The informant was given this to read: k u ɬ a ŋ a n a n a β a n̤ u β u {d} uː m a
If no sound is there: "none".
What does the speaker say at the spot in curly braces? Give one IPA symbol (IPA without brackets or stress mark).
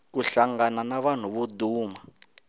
d